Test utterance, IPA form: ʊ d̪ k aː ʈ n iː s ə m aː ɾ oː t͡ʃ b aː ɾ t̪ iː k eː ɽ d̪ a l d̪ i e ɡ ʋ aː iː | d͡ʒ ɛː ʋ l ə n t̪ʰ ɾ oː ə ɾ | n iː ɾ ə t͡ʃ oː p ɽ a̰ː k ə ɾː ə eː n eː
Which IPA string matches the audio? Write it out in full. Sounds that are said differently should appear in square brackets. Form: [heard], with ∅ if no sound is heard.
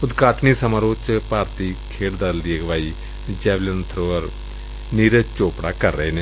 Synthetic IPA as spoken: ʊ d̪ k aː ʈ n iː s ə m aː ɾ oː t͡ʃ [p] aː ɾ t̪ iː [kʰ] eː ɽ d̪ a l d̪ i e ɡ ʋ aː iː | d͡ʒ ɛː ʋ l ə n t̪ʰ ɾ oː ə ɾ | n iː ɾ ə t͡ʃ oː p ɽ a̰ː k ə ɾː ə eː n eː